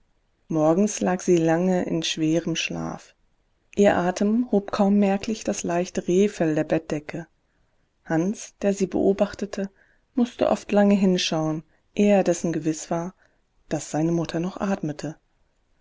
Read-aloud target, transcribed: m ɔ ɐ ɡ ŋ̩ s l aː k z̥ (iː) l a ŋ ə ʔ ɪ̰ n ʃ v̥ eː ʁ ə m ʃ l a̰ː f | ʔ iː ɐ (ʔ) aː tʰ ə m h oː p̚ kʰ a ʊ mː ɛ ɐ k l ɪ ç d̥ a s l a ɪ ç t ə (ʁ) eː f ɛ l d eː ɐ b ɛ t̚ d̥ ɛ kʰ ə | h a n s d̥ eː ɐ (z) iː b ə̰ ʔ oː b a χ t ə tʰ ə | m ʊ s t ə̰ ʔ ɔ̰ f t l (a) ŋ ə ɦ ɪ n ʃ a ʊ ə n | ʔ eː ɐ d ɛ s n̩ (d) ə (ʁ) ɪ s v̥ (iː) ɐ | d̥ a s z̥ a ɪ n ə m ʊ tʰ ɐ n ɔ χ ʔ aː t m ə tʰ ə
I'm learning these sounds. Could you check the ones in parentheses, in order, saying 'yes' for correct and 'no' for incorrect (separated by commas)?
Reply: yes, yes, yes, yes, yes, no, no, no